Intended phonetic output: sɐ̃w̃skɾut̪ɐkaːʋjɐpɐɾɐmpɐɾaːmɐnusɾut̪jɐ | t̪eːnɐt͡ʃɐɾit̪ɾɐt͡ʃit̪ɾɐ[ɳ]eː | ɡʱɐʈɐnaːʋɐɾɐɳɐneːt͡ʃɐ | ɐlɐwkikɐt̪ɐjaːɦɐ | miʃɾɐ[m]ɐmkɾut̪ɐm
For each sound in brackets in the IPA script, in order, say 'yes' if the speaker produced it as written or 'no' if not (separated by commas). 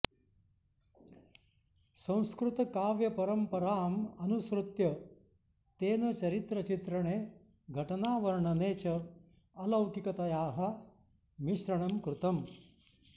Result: yes, no